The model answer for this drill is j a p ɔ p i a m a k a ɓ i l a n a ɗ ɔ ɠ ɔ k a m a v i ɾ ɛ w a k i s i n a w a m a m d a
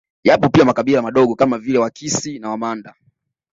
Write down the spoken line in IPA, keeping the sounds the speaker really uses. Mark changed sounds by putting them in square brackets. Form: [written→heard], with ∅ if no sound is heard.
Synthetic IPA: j a p ɔ p i a m a k a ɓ i l a [n→m] a ɗ ɔ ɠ ɔ k a m a v i [ɾ→l] ɛ w a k i s i n a w a m a [m→n] d a